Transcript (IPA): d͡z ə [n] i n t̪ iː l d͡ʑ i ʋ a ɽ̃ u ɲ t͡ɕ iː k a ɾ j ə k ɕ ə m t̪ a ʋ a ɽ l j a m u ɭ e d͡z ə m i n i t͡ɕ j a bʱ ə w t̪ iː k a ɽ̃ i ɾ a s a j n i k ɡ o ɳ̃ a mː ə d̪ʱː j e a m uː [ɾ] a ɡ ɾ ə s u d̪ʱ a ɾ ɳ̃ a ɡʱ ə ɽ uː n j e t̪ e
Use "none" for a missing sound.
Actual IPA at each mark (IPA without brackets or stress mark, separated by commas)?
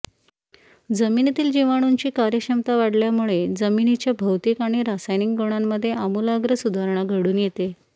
m, l